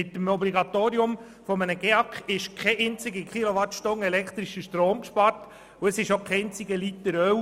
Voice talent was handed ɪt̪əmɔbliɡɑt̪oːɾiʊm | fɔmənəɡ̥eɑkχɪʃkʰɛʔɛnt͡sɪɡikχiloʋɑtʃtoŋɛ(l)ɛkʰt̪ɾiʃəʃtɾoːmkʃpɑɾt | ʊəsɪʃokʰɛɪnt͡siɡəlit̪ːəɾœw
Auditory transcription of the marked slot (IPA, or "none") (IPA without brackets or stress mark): l